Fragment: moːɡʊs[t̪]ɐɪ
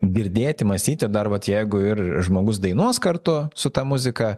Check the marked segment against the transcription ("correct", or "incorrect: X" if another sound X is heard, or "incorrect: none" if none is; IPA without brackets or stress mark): incorrect: d̪